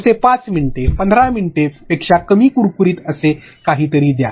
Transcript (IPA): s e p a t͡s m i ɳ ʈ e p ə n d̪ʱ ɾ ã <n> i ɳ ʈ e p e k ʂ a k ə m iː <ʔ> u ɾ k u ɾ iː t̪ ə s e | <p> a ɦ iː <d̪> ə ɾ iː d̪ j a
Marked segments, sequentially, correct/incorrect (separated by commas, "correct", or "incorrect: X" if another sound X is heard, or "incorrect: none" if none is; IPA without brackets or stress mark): incorrect: m, incorrect: k, incorrect: k, incorrect: t̪